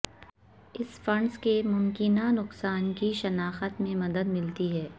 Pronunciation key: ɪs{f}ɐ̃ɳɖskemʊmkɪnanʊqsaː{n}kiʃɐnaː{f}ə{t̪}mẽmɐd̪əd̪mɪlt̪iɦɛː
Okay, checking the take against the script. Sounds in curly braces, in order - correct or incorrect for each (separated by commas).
correct, correct, incorrect, correct